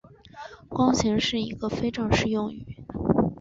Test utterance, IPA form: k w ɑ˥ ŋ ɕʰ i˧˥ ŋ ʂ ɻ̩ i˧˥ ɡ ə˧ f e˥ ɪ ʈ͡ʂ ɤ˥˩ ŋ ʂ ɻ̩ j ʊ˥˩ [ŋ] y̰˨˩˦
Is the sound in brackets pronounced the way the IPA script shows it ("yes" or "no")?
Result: yes